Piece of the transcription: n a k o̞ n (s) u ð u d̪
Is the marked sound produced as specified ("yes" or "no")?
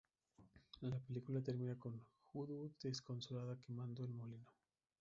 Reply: no